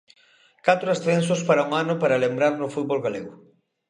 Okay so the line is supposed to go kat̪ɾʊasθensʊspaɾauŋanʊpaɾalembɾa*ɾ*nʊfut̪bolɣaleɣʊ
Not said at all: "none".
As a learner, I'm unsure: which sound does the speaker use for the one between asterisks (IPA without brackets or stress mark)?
ɾ